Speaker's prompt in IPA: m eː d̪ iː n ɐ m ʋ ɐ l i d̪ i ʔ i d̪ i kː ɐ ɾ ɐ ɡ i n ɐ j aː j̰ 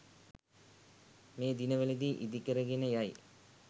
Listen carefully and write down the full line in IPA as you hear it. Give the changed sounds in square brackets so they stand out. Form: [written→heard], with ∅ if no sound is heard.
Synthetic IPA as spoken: m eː d̪ [iː→i] n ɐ [m→∅] ʋ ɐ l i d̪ i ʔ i d̪ i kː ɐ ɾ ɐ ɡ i n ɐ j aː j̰